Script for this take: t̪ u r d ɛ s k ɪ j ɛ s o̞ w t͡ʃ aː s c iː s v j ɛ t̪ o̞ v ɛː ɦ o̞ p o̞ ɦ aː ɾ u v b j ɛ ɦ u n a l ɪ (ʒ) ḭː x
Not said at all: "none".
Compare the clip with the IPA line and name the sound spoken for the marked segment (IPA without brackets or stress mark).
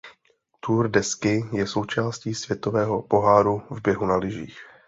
ʒ